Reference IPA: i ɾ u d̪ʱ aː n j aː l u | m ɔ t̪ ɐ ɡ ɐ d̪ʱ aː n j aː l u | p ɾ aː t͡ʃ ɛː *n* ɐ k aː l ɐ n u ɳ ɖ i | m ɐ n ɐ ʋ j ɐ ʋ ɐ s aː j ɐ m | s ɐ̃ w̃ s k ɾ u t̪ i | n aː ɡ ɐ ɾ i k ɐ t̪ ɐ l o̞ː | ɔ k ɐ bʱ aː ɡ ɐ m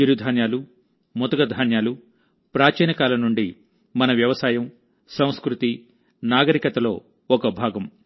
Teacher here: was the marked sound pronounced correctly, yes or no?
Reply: yes